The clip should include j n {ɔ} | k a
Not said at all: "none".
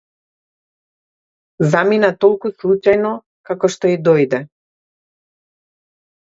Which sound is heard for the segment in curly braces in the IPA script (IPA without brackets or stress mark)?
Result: ɔ